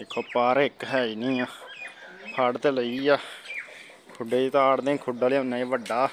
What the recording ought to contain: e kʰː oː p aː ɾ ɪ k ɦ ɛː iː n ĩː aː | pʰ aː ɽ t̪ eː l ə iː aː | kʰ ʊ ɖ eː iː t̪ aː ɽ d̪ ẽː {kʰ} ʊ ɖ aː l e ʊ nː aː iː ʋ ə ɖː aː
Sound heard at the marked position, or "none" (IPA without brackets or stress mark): kʰ